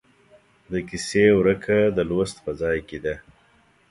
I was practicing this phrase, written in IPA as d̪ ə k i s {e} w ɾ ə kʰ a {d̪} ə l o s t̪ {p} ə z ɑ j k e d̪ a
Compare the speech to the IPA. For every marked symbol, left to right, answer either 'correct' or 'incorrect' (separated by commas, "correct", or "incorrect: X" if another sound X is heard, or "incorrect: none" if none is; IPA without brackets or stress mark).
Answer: correct, correct, correct